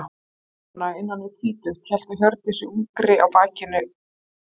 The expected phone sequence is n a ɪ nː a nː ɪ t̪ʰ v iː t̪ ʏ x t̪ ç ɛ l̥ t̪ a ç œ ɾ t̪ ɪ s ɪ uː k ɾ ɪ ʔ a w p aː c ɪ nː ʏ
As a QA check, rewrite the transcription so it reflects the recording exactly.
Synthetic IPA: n a ɪ nː a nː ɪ t̪ʰ v iː t̪ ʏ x t̪ ç ɛ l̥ t̪ a ç œ ɾ t̪ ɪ s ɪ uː k ɾ ɪ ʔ a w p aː c ɪ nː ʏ